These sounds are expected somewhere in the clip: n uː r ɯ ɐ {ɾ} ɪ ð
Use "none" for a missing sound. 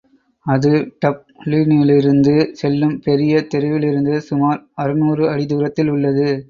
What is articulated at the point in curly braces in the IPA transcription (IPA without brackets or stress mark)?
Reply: ɽ